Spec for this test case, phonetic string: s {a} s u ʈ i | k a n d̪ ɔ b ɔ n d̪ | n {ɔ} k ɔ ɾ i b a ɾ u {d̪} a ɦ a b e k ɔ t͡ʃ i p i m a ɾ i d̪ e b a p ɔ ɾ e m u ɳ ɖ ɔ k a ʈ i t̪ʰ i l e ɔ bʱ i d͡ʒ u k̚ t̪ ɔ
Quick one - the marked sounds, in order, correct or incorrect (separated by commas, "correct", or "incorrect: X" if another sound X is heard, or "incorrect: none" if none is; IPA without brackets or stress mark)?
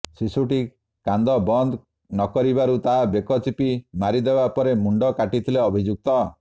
incorrect: i, correct, incorrect: t̪